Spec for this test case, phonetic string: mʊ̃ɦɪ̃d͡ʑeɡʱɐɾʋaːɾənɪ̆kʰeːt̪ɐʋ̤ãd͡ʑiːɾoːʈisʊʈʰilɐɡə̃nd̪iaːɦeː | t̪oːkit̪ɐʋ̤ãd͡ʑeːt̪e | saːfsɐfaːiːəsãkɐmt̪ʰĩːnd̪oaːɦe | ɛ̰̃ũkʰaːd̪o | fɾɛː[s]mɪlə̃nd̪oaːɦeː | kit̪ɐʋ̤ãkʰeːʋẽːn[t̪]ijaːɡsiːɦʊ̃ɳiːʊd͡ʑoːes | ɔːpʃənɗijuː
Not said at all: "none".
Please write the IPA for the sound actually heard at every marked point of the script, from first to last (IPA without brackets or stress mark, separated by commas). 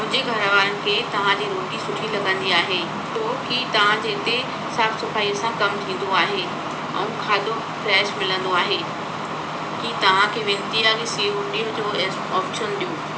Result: ʃ, t̪